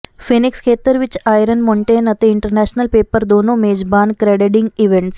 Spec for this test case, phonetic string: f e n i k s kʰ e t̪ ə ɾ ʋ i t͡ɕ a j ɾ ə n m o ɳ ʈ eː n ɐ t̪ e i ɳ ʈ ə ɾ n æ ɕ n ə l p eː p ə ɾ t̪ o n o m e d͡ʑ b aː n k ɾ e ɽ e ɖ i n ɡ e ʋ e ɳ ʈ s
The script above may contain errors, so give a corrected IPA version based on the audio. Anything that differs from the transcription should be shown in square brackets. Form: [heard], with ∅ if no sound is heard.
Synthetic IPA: f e n i k s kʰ e t̪ ə ɾ ʋ i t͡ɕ a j ɾ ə n m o ɳ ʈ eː n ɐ t̪ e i ɳ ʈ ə ɾ n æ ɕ n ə l p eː p ə ɾ [d̪] o n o m e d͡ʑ b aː n k ɾ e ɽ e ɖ i [ŋ] ɡ [i] ʋ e ɳ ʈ s